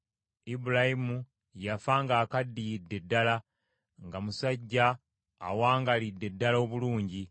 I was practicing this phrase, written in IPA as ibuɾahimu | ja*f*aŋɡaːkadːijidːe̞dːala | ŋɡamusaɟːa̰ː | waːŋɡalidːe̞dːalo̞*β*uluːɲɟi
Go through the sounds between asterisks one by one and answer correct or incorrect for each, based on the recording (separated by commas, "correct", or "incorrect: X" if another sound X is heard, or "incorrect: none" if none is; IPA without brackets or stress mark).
correct, correct